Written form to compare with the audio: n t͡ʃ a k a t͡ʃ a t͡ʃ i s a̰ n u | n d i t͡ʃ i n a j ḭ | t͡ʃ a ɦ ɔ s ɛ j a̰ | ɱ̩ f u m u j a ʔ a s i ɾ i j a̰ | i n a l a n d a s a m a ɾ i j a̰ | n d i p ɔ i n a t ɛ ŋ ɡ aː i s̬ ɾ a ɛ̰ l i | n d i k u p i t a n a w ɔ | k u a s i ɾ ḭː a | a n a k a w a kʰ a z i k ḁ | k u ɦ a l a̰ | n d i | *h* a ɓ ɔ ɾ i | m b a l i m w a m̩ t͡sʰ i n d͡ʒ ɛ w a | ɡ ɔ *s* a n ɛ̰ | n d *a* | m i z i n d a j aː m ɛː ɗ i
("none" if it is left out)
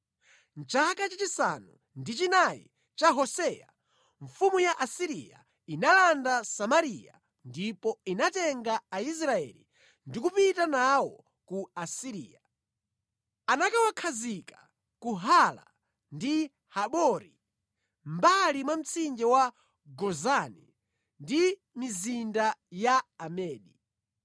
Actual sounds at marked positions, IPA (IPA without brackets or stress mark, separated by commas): h, z, i